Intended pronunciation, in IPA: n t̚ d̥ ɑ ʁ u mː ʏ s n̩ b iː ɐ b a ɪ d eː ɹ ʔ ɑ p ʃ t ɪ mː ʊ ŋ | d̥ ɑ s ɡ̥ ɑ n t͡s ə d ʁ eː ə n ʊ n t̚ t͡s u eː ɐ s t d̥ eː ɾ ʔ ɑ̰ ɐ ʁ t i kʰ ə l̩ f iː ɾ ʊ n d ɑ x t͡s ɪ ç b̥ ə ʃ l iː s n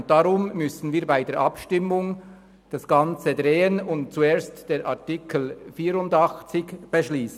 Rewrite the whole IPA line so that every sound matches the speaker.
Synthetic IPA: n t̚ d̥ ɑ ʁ ʊ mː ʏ s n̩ v iː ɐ b a ɪ d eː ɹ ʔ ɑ p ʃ t ɪ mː ʊ ŋ | d̥ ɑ s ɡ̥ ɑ n t͡s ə d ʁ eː ə n ʊ n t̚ t͡s u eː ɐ s t d̥ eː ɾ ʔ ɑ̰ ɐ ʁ t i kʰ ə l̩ f iː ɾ ʊ n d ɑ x t͡s ɪ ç b̥ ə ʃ l iː s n